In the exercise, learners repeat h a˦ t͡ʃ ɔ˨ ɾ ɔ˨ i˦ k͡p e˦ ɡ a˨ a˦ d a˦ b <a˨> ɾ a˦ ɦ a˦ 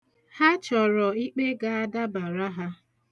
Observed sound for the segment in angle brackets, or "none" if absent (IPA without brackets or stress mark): a˨